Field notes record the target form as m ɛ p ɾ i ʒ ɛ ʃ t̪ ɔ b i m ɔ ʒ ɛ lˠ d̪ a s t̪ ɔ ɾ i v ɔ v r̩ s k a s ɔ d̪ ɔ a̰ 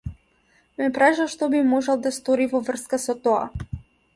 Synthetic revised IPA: m ɛ p ɾ a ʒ a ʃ t̪ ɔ b i m ɔ ʒ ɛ lˠ d̪ a s t̪ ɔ ɾ i v ɔ v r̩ s k a s ɔ t̪ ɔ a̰